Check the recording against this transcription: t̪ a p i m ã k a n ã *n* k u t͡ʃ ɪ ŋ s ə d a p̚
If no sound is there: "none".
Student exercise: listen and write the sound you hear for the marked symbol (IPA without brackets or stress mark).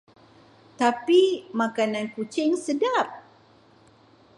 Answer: n